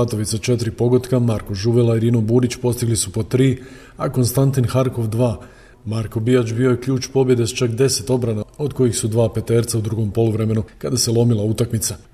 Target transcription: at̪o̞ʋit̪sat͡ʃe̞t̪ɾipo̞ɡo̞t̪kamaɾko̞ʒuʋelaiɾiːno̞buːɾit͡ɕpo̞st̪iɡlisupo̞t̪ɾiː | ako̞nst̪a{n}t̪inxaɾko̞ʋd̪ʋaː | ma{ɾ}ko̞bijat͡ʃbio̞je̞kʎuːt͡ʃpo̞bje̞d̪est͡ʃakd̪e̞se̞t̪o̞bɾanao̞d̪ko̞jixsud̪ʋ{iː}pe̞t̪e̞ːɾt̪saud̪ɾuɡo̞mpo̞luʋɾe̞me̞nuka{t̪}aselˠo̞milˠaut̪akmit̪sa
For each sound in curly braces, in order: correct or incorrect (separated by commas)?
correct, correct, incorrect, incorrect